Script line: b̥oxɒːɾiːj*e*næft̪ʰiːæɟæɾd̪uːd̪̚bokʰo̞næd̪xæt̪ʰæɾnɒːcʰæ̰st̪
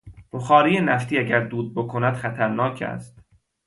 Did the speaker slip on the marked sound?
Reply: no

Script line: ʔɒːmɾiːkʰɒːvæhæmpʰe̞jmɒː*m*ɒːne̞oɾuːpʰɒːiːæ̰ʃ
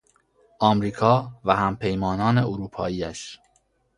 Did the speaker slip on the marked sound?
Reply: yes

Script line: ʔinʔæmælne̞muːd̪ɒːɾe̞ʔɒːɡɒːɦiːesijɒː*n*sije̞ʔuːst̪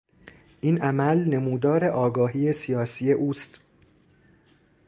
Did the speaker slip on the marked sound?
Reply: yes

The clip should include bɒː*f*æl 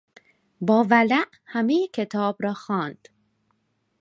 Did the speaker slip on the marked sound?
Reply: yes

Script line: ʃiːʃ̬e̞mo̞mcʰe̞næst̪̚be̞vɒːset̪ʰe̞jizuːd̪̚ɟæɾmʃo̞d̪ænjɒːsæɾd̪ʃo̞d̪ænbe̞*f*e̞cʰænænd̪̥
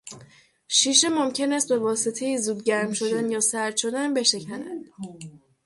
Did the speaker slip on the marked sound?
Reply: yes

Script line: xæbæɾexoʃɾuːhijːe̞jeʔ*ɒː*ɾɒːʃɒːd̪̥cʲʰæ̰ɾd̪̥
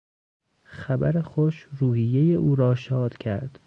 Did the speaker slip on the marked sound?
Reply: yes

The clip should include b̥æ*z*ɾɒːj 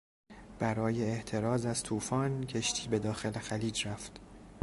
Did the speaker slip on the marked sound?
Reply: yes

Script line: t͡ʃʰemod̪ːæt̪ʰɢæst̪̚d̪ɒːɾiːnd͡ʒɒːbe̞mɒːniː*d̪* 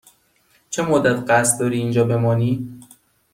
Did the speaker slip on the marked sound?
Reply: yes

